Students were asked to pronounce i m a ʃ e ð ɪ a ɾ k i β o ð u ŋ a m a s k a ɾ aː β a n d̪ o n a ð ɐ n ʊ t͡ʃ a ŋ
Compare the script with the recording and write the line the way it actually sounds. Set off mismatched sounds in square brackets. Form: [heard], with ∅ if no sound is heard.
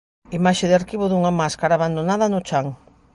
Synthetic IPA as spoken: i m a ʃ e ð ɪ a ɾ k i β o ð u ŋ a m a s k a ɾ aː β a n d̪ o n a ð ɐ n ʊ t͡ʃ a ŋ